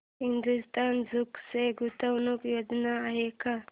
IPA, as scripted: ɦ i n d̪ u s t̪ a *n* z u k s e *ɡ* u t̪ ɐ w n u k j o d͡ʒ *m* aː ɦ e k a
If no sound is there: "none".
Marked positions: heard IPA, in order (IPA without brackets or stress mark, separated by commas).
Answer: n, ɡ, n